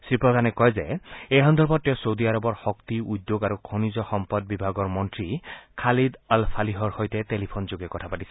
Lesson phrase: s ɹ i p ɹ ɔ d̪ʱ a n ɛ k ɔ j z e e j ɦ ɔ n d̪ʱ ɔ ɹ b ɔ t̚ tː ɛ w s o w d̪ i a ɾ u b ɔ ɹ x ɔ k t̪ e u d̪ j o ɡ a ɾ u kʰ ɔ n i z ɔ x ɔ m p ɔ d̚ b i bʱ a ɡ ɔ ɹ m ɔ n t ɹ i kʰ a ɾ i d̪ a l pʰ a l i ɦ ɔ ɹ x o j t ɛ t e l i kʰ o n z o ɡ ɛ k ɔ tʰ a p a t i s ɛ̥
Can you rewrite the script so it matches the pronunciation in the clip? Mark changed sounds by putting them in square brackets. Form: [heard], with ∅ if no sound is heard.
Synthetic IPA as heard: s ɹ i p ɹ ɔ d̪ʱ a n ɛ k ɔ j z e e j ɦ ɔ n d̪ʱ ɔ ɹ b ɔ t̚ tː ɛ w s o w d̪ i a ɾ [ɔ] b ɔ ɹ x ɔ k t̪ [i] u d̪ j o ɡ a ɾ u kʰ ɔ n i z ɔ x ɔ m p ɔ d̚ b i bʱ a ɡ ɔ ɹ m ɔ n t ɹ i kʰ a [l] i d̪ a l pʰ a l i ɦ ɔ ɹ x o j t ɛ t e l i [pʰ] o n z o ɡ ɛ k ɔ tʰ a p a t i s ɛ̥